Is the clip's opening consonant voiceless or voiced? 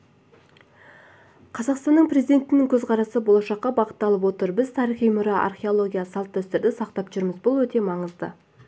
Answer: voiceless